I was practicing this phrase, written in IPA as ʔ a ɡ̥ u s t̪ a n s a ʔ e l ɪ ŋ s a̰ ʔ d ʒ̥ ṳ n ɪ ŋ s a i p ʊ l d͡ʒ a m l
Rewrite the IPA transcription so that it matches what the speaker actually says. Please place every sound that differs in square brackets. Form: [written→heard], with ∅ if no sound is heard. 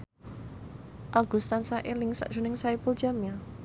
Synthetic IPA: ʔ a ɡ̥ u s t̪ a n s a ʔ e l ɪ ŋ s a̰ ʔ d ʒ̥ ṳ n ɪ ŋ s a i p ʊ l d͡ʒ a m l